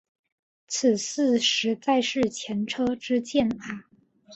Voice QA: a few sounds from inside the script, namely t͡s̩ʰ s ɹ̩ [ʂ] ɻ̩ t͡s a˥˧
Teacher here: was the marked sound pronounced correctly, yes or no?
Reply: yes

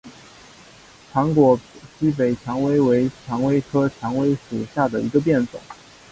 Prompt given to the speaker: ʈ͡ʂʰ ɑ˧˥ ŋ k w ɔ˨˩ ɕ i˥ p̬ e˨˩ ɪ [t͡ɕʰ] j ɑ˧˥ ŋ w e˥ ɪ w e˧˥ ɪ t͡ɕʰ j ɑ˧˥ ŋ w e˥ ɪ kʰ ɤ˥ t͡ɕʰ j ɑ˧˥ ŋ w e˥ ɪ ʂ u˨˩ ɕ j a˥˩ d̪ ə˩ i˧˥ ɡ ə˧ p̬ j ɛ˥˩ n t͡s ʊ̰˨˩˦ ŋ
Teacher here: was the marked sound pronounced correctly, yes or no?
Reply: yes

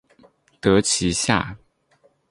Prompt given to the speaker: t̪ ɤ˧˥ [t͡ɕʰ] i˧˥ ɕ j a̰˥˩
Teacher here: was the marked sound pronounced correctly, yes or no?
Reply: yes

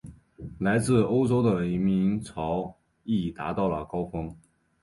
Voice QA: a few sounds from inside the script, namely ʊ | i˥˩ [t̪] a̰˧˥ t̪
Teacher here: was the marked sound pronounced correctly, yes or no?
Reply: yes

